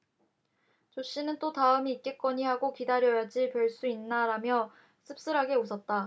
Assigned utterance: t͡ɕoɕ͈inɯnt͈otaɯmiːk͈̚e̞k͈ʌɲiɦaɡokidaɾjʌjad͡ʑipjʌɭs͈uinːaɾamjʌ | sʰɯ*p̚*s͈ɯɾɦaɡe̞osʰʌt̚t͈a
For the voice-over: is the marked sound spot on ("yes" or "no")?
yes